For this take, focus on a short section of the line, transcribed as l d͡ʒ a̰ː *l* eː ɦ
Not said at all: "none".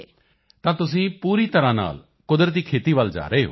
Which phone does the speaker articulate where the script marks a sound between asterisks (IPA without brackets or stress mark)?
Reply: ɾ